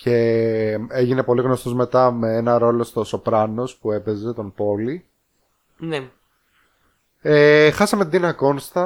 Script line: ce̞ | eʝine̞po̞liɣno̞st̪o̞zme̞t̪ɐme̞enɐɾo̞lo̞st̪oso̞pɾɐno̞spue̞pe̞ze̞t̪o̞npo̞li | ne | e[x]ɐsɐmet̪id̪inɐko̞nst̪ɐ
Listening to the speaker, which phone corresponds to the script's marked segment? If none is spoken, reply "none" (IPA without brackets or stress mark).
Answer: x